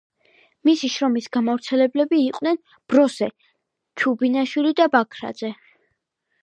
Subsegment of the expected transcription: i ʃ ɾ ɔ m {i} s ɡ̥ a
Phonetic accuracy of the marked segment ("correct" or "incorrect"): correct